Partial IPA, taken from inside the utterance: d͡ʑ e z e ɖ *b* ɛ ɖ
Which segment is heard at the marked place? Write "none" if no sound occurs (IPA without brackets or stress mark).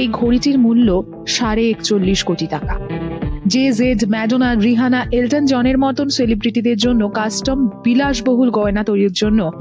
m